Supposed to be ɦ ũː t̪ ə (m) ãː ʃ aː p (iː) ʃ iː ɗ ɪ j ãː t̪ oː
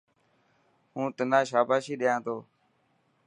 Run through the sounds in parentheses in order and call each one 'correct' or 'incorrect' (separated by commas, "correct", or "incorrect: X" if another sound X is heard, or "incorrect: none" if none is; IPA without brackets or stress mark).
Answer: incorrect: n, incorrect: aː